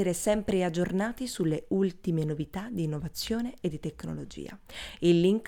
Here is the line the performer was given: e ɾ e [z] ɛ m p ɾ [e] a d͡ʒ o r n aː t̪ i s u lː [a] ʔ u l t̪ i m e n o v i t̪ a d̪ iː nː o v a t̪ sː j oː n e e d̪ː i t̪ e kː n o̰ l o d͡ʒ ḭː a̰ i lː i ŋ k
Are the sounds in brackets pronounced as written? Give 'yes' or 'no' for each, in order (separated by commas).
no, yes, no